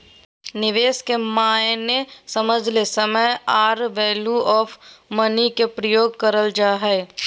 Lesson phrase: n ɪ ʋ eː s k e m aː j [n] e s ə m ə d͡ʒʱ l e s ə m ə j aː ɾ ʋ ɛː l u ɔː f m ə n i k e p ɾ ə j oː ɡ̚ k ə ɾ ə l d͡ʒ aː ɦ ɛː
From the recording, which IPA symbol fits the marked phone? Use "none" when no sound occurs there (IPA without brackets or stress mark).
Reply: n